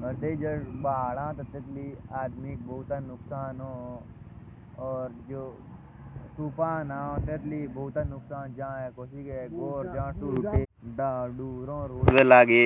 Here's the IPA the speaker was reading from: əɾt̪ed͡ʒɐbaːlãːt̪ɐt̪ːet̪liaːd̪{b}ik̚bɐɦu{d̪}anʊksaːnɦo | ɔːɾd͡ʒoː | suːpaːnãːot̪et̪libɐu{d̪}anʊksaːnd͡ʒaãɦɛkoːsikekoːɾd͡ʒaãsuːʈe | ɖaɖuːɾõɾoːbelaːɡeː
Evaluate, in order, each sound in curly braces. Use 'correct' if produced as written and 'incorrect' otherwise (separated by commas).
incorrect, incorrect, incorrect